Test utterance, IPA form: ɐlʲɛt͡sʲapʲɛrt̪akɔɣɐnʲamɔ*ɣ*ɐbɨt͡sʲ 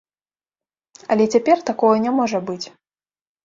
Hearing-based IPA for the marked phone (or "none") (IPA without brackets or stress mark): ʐ